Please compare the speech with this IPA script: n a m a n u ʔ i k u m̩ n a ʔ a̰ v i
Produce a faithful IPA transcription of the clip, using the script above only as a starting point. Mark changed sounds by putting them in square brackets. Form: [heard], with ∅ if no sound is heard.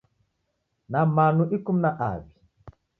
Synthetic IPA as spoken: n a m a n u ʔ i k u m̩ n a ʔ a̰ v i

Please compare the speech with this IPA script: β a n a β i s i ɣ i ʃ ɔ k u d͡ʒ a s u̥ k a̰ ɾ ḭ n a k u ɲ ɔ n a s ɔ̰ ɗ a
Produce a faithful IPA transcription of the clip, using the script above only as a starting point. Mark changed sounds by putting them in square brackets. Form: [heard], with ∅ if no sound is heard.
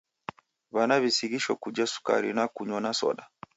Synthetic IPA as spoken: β a n a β i s i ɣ i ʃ ɔ k u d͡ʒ a s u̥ k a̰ ɾ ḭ n a k u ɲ ɔ n a s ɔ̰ ɗ a

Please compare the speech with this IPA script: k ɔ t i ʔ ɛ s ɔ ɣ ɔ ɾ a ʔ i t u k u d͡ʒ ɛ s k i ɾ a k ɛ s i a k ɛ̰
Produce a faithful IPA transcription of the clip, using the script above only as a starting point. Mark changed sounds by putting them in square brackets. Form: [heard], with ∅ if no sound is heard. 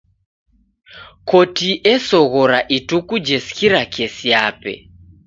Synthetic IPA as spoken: k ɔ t i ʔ ɛ s ɔ ɣ ɔ ɾ a ʔ i t u k u d͡ʒ ɛ s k i ɾ a k ɛ s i a [p] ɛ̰

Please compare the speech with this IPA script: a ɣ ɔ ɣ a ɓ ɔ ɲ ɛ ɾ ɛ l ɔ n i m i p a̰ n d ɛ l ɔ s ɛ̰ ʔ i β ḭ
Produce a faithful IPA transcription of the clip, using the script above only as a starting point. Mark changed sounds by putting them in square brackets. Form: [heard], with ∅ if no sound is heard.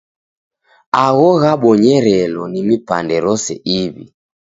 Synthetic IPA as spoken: a ɣ ɔ ɣ a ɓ ɔ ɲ ɛ ɾ ɛ l ɔ n i m i p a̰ n d ɛ [ɾ] ɔ s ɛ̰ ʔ i β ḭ

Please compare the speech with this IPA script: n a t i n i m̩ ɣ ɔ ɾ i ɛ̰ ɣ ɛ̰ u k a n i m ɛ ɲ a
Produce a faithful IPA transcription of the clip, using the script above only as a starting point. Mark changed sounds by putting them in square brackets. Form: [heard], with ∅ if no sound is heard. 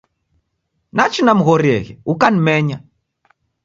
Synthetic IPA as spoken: n a [t͡ʃ] i n [a] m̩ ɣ ɔ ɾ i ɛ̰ ɣ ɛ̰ u k a n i m ɛ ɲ a

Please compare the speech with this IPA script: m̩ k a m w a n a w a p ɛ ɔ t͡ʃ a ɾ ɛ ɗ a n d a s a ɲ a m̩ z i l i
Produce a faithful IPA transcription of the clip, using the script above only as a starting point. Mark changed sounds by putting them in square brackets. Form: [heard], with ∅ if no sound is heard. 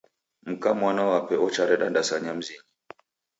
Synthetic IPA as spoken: m̩ k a m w a n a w a p ɛ ɔ t͡ʃ a ɾ ɛ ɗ a n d a s a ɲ a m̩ z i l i

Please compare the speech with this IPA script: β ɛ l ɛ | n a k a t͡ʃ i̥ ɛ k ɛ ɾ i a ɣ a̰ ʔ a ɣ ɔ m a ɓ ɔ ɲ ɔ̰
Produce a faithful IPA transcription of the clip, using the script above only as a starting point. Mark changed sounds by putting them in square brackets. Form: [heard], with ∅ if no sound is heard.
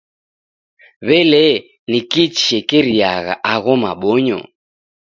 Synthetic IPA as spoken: β ɛ l ɛ | n [i] k [i] t͡ʃ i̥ ɛ k ɛ ɾ i a ɣ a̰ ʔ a ɣ ɔ m a ɓ ɔ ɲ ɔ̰

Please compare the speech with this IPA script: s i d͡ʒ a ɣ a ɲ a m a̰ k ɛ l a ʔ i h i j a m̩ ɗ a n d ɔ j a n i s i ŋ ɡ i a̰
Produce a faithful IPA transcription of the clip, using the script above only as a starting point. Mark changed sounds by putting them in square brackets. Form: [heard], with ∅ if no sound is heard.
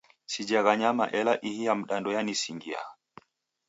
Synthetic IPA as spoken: s i d͡ʒ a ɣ a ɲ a m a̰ [ʔ] ɛ l a ʔ i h i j a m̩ ɗ a n d ɔ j a n i s i ŋ ɡ i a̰

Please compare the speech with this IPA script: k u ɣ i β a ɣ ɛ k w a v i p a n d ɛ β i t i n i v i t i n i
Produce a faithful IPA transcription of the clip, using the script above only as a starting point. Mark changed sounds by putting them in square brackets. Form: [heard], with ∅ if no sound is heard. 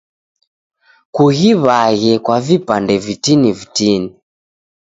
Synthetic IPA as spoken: k u ɣ i β a ɣ ɛ k w a v i p a n d ɛ [v] i t i n i v i t i n i

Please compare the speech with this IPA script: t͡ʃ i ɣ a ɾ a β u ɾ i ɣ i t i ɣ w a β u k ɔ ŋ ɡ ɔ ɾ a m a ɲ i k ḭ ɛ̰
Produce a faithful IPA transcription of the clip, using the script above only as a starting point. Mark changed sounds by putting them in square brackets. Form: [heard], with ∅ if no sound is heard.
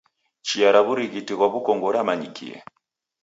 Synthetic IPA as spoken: t͡ʃ i [∅] a ɾ a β u ɾ i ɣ i t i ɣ w a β u k ɔ ŋ ɡ ɔ ɾ a m a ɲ i k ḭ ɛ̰

